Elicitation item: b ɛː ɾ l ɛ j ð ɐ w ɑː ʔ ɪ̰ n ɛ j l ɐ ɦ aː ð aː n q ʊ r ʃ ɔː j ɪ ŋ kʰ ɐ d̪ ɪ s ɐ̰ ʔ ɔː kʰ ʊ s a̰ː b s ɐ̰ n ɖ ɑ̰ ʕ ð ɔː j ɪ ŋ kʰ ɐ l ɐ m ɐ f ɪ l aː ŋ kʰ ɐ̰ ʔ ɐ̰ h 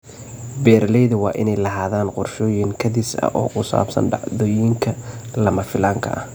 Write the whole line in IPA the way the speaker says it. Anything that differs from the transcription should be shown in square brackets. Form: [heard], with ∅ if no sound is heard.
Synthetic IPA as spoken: b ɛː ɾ l ɛ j ð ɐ w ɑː ʔ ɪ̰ n ɛ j l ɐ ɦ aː ð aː n q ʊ r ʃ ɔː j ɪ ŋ kʰ ɐ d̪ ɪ s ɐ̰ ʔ ɔː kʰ ʊ s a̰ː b s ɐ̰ n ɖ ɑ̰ ʕ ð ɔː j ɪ ŋ kʰ ɐ l ɐ m ɐ f ɪ l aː ŋ kʰ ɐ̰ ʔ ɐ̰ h